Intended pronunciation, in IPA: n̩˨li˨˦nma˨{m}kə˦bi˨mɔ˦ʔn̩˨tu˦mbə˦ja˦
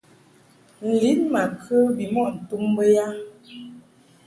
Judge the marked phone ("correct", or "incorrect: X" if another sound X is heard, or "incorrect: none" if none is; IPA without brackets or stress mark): incorrect: none